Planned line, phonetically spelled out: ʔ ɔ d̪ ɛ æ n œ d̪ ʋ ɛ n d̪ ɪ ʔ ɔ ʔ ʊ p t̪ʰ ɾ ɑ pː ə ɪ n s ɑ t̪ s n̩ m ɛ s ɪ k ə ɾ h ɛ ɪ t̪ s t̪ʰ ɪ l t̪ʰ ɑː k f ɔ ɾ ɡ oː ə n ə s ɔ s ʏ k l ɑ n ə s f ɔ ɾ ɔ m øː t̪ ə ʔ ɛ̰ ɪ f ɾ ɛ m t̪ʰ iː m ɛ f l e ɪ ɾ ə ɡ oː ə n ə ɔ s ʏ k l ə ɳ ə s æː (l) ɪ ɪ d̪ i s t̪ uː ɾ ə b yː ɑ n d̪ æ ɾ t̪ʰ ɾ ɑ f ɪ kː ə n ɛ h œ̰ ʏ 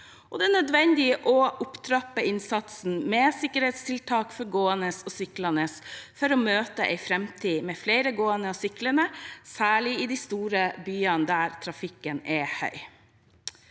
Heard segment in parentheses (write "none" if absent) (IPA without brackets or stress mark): ɭ